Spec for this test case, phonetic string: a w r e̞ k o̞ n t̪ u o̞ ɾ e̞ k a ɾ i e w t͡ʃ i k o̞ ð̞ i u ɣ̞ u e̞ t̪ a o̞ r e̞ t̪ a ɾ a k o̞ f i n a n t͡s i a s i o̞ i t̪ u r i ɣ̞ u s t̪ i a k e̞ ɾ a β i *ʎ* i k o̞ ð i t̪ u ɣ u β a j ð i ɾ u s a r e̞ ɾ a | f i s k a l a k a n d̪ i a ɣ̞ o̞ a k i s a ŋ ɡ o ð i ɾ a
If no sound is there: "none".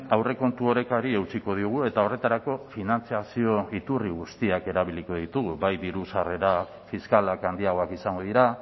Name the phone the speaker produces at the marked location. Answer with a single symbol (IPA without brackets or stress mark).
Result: l